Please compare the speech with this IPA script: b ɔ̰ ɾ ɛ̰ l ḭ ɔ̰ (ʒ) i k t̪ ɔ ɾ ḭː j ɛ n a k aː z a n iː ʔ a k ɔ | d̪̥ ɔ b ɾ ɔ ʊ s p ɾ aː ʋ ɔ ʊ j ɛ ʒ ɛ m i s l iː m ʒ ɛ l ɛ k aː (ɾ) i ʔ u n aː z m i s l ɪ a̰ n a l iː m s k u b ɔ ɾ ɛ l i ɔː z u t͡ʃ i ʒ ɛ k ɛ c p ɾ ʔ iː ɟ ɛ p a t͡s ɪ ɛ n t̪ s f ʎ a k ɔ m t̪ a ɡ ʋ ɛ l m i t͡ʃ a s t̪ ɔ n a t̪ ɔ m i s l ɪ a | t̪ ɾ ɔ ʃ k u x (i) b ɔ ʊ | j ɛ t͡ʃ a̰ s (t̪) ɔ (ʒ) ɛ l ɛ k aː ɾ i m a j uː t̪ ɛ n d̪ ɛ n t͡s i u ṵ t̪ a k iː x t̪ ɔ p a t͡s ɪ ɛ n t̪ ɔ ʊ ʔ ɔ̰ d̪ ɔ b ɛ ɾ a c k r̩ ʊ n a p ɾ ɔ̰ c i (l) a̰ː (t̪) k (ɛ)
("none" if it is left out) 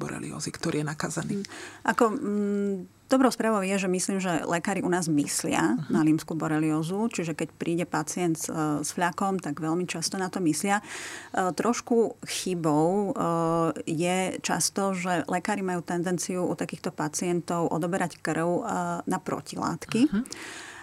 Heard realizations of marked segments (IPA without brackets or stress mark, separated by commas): z, ɾ, i, t̪, ʒ, l, t̪, i